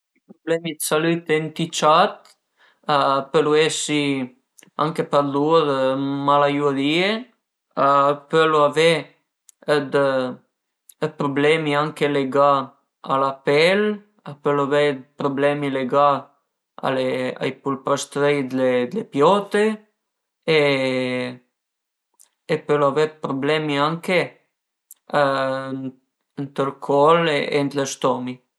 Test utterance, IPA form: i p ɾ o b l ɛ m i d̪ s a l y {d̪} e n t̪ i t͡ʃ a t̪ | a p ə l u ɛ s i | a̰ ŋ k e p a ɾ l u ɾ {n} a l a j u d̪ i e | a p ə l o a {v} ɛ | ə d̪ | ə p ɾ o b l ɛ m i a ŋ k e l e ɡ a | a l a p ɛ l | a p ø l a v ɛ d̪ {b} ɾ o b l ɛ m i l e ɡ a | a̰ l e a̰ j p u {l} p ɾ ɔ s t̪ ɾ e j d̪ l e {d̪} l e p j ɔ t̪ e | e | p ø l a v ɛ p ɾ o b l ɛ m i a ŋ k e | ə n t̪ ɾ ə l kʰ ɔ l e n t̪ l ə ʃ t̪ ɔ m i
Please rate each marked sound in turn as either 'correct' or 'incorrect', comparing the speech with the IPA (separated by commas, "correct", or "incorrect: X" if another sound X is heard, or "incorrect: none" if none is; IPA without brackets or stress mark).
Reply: incorrect: t̪, incorrect: m, correct, incorrect: p, correct, correct